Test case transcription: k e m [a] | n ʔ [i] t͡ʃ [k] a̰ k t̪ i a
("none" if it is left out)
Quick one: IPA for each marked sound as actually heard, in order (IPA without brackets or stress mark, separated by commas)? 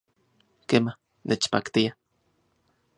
a, e, p